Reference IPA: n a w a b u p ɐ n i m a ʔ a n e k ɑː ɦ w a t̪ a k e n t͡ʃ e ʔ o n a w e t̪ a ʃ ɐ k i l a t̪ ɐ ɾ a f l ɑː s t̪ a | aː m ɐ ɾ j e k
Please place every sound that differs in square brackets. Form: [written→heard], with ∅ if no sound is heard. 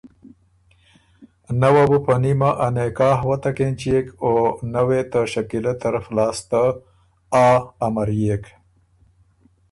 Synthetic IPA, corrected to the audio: n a w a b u p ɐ n i m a ʔ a n e k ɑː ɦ w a t̪ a k e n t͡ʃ e [ʔ→k] o n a w e t̪ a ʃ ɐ k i l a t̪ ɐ ɾ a f l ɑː s t̪ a | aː m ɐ ɾ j e k